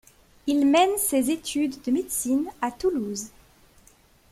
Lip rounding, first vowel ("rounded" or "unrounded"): unrounded